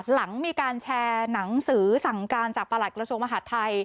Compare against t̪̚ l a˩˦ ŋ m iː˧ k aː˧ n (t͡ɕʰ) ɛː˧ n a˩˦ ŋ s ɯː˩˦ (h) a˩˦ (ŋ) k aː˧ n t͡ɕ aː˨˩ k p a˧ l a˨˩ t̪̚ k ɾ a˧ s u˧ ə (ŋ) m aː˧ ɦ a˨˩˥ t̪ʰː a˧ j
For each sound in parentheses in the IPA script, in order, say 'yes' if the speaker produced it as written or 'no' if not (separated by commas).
yes, no, yes, yes